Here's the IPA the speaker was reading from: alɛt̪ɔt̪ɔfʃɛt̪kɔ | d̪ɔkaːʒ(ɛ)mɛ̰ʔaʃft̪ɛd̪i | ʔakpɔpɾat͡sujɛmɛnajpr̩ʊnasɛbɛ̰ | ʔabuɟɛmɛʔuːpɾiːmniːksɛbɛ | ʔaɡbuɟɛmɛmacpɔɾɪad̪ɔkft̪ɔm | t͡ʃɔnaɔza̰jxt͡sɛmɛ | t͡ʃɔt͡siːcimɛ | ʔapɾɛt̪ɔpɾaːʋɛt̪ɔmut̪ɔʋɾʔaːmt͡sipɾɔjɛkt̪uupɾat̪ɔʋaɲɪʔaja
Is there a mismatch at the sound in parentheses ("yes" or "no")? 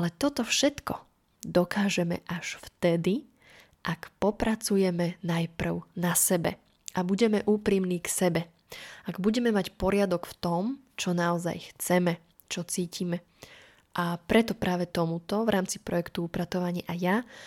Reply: no